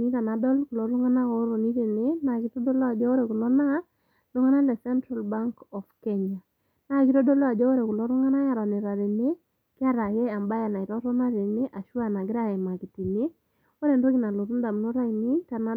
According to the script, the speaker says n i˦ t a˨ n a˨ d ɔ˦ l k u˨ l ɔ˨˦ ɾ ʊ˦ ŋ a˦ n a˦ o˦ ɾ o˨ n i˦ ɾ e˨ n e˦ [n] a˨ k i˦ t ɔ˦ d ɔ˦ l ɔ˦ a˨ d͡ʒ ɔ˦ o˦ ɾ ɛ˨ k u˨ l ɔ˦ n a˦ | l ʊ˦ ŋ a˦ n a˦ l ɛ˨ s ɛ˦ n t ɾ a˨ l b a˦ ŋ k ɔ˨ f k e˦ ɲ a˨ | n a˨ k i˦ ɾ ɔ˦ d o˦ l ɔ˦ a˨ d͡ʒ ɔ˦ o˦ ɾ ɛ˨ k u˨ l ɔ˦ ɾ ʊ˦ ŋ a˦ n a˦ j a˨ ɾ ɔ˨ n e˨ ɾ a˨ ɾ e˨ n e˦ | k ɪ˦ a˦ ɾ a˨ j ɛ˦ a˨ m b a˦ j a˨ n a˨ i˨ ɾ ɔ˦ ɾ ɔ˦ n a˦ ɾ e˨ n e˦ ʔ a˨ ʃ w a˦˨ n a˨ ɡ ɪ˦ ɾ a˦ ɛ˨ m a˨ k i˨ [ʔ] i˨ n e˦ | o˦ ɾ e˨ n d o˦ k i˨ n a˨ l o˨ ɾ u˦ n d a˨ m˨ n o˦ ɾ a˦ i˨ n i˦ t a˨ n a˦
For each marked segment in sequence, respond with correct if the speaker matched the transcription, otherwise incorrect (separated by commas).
correct, incorrect